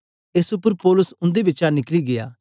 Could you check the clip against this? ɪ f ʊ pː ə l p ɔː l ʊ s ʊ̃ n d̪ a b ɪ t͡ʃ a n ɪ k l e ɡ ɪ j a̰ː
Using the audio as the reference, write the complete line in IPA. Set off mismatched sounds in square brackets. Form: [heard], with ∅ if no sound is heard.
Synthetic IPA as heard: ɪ [s] ʊ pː ə [ɾ] p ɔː l ʊ s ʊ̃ n d̪ [e] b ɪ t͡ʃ a n ɪ k l [i] ɡ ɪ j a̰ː